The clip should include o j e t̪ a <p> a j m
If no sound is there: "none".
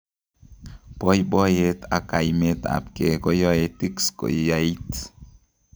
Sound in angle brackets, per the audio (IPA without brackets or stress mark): k